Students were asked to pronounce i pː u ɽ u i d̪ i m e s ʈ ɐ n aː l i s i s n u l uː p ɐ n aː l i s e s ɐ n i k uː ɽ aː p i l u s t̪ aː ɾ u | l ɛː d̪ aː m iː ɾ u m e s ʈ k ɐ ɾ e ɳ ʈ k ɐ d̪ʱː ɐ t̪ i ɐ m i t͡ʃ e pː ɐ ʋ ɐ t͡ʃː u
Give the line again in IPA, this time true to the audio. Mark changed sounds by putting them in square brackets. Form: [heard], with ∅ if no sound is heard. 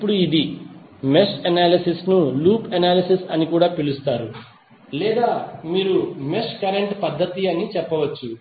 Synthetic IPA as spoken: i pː u ɽ u i d̪ i m e s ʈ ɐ n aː l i s i s n u l uː p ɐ n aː l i s [i] s ɐ n i k uː ɽ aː p i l u s t̪ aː ɾ u | l ɛː d̪ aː m iː ɾ u m e s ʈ k ɐ ɾ e ɳ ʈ [p] ɐ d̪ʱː ɐ t̪ i ɐ [n] i t͡ʃ [ɛ] pː ɐ ʋ ɐ t͡ʃː u

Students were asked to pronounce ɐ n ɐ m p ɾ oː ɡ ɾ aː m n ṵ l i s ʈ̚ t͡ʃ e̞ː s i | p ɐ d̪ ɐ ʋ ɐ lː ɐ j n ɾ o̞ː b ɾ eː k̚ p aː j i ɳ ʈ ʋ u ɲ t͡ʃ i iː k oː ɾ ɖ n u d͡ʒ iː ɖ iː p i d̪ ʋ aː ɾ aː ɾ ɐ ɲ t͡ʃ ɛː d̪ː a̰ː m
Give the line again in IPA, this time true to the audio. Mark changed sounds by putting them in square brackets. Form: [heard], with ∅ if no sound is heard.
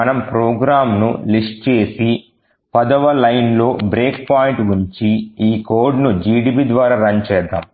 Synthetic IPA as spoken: ɐ n ɐ m p ɾ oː ɡ ɾ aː m n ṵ l i s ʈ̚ t͡ʃ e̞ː s i | p ɐ d̪ ɐ ʋ ɐ [l] ɐ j n [l] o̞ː b ɾ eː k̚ p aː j i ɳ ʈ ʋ u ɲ t͡ʃ i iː k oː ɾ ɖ n u d͡ʒ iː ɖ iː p i d̪ ʋ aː ɾ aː ɾ ɐ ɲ t͡ʃ ɛː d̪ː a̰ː m

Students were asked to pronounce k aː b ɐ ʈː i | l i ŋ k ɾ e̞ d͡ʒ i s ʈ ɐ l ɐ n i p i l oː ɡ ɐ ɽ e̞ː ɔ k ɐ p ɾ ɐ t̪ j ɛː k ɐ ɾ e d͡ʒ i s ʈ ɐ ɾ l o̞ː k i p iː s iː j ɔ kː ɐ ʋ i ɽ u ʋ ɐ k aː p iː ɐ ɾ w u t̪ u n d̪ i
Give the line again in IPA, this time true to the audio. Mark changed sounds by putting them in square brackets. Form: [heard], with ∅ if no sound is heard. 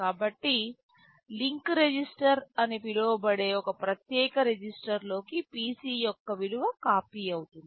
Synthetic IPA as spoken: k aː b ɐ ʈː i | l i ŋ k ɾ e̞ d͡ʒ i s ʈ ɐ [ɾ] ɐ n i p i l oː [b] ɐ ɽ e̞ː ɔ k ɐ p ɾ ɐ t̪ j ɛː k ɐ ɾ e d͡ʒ i s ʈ ɐ ɾ l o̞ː k i p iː s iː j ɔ kː ɐ ʋ i ɽ u ʋ ɐ k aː p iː ɐ [∅] w u t̪ u n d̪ i

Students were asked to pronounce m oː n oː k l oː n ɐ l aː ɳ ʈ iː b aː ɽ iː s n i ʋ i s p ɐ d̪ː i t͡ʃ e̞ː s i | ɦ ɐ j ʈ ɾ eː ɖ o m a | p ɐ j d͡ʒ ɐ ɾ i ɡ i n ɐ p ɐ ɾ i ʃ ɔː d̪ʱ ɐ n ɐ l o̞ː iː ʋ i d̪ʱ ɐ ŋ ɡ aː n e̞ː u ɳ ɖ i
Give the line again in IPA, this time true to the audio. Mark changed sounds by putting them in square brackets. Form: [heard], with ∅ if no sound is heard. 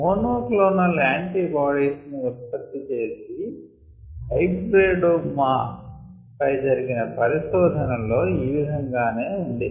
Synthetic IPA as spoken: m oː n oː k l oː n ɐ l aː ɳ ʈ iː b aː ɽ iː s n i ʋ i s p ɐ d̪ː i t͡ʃ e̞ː s i | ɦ ɐ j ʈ ɾ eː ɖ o m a | p ɐ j d͡ʒ ɐ ɾ i ɡ i n ɐ p ɐ ɾ i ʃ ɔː d̪ʱ ɐ n ɐ l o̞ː iː ʋ i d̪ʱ ɐ ŋ ɡ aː n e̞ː u ɳ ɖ i

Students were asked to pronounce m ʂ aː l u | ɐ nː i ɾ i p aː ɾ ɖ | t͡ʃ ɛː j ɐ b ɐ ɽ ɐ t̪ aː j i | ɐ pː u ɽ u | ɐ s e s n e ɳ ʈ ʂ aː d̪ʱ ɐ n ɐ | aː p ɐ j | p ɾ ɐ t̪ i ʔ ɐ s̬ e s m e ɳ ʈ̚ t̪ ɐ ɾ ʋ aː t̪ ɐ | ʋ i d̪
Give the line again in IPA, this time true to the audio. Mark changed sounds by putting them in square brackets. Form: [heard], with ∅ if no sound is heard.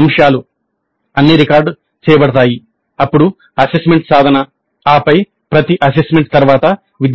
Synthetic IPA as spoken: m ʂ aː l u | ɐ nː i ɾ i [k] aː ɾ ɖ | t͡ʃ ɛː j ɐ b ɐ ɽ ɐ t̪ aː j i | ɐ pː u ɽ u | ɐ s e s [m] e ɳ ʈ [s] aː d̪ʱ ɐ n ɐ | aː p ɐ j | p ɾ ɐ t̪ i ʔ ɐ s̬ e s m e ɳ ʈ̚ t̪ ɐ ɾ ʋ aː t̪ ɐ | ʋ i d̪

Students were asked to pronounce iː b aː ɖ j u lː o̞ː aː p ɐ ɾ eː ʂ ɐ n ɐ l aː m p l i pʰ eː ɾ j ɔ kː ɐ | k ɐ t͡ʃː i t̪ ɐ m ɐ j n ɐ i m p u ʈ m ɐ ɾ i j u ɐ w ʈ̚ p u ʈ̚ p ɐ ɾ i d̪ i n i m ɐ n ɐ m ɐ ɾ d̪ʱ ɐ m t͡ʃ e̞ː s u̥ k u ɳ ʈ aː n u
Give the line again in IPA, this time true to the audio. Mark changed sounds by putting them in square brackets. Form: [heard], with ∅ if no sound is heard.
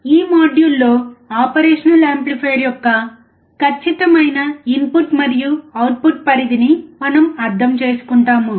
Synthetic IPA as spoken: iː [m] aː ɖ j u lː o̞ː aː p ɐ ɾ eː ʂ ɐ n ɐ l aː m p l i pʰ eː ɾ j ɔ kː ɐ | k ɐ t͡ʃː i t̪ ɐ m ɐ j n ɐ i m p u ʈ m ɐ ɾ i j u ɐ w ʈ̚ p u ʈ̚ p ɐ ɾ i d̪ i n i m ɐ n ɐ m ɐ ɾ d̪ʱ ɐ m t͡ʃ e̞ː s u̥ k u ɳ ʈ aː [m] u

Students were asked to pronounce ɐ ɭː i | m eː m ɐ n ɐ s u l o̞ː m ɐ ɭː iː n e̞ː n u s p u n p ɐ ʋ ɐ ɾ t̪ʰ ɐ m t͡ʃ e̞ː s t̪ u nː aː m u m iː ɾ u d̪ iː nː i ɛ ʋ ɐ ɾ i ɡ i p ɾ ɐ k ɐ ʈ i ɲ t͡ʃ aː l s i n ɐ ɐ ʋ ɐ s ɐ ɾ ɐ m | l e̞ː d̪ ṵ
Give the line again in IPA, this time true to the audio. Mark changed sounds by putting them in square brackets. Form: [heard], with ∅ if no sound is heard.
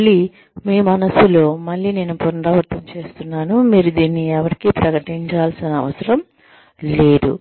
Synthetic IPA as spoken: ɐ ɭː i | m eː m ɐ n ɐ s u l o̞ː m ɐ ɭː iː n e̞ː n u [∅] p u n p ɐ ʋ ɐ ɾ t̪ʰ ɐ m t͡ʃ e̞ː s t̪ u nː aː [n] u m iː ɾ u d̪ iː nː i ɛ ʋ ɐ ɾ i [k] i p ɾ ɐ k ɐ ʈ i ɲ t͡ʃ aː l s i n ɐ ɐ ʋ ɐ s ɐ ɾ ɐ m | l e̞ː d̪ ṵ

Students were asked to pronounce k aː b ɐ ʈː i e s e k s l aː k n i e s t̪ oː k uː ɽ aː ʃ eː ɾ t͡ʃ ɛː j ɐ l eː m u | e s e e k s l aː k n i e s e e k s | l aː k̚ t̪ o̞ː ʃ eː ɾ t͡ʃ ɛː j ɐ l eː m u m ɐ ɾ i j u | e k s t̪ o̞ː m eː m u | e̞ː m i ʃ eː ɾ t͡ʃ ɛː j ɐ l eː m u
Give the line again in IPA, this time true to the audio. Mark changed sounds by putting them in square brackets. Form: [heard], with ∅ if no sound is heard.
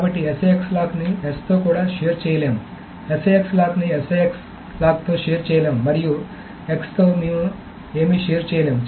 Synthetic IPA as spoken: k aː b ɐ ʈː i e s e k s l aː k n i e s t̪ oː k uː ɽ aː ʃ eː ɾ t͡ʃ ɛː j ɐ l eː m u | e s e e k s l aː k n i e s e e k s | l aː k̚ t̪ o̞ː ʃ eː ɾ t͡ʃ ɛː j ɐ l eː m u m ɐ ɾ i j u | e k s t̪ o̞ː m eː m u | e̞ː m i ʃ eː ɾ t͡ʃ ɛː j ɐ l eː m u

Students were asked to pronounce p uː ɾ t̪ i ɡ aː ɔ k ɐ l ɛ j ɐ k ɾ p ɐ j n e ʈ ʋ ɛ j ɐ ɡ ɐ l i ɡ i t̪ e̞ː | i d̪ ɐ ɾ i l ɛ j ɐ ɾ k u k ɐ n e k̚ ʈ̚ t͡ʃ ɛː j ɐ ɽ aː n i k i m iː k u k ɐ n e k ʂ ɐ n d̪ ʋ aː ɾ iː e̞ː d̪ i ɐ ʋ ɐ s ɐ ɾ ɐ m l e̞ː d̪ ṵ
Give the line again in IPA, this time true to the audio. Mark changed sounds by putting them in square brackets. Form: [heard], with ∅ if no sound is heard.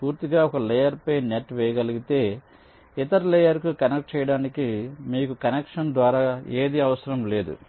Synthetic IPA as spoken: p uː ɾ t̪ i ɡ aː ɔ k ɐ l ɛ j ɐ [∅] ɾ p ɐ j n e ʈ ʋ ɛ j ɐ ɡ ɐ l i ɡ i t̪ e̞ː | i [t̪] ɐ ɾ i l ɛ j ɐ ɾ k u k ɐ n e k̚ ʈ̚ t͡ʃ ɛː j ɐ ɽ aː n i k i m iː k u k ɐ n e k ʂ ɐ n d̪ ʋ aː ɾ [aː] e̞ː d̪ i ɐ ʋ ɐ s ɐ ɾ ɐ m l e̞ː d̪ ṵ

